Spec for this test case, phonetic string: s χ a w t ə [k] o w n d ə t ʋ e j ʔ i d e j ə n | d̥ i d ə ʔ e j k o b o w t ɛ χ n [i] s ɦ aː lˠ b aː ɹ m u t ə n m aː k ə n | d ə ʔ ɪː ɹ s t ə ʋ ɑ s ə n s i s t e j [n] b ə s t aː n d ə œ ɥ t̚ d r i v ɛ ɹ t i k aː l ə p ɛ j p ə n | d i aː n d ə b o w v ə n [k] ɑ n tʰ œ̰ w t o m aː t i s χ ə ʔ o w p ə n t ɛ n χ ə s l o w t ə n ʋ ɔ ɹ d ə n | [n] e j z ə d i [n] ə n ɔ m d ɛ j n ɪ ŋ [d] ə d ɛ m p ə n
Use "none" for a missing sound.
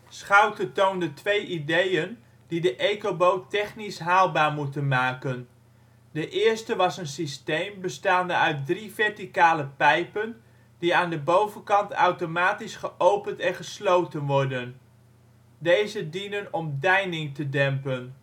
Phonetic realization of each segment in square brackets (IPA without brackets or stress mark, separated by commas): t, i, m, k, d, n, t